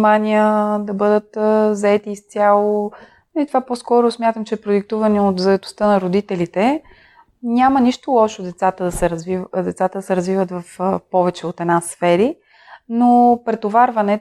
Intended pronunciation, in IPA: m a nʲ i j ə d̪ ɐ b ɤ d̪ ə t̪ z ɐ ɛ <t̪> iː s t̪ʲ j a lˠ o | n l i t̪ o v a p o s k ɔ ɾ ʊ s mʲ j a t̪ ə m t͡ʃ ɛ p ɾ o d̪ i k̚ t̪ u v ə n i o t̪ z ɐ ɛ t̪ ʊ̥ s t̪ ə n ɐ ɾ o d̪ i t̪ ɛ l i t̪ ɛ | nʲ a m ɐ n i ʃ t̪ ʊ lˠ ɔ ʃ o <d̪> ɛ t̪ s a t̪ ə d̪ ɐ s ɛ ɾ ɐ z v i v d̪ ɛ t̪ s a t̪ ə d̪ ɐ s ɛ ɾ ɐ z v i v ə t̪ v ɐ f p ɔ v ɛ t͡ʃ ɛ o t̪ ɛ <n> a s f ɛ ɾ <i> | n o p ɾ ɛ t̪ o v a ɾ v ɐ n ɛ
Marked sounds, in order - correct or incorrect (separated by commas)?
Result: correct, correct, correct, correct